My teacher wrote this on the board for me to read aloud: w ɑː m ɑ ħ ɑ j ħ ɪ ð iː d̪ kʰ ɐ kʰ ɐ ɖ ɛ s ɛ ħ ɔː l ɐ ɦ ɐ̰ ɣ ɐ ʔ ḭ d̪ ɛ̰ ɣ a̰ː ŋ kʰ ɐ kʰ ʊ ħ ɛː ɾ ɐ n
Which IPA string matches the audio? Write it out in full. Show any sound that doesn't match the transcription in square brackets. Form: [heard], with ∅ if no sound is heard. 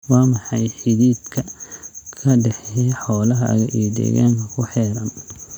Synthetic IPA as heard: w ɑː m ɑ ħ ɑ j ħ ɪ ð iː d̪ kʰ ɐ kʰ ɐ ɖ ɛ [ħ] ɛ ħ ɔː l ɐ ɦ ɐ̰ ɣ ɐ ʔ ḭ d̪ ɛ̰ ɣ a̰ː ŋ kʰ ɐ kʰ ʊ ħ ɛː ɾ ɐ n